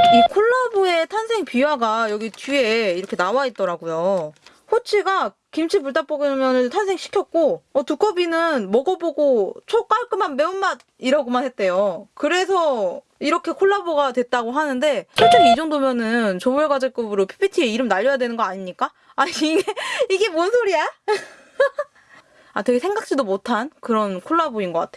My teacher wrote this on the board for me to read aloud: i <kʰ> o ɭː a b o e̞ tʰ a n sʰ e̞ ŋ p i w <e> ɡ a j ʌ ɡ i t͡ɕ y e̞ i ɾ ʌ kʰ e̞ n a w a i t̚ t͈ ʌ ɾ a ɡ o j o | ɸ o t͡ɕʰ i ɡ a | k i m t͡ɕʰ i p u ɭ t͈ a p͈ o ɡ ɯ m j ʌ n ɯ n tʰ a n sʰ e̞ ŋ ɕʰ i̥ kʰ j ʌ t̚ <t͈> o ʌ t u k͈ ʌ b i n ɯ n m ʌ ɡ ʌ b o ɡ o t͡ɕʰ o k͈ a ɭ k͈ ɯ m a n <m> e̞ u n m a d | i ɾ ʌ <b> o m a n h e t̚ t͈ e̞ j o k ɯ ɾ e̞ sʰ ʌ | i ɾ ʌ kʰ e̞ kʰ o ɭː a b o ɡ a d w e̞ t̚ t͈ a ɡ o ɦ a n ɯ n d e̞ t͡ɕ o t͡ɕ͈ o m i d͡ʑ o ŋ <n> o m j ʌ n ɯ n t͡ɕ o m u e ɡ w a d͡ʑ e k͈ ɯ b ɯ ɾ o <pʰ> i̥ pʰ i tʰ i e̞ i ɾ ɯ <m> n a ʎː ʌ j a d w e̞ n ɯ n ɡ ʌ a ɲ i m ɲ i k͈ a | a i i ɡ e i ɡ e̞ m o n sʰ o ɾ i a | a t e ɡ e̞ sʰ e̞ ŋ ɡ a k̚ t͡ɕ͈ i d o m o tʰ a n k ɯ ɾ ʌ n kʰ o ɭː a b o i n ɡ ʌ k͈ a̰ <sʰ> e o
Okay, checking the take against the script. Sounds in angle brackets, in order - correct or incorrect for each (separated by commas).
correct, incorrect, incorrect, correct, incorrect, incorrect, correct, correct, incorrect